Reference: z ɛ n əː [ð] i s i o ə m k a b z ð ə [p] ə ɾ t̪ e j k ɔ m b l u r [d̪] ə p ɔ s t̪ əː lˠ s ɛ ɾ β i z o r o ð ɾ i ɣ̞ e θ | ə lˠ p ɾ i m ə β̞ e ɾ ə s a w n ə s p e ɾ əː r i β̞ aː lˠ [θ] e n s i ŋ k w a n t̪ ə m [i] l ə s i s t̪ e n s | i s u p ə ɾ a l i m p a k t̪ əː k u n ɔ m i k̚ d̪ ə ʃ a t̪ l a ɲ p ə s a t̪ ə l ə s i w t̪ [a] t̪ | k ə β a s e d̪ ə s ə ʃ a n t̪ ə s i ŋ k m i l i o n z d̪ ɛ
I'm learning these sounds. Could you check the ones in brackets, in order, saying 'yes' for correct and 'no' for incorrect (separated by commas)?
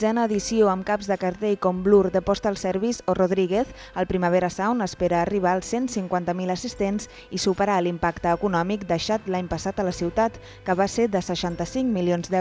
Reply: yes, no, yes, no, yes, yes